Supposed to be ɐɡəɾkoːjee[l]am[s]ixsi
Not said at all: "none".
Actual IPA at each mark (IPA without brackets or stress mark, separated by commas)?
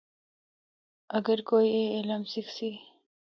l, s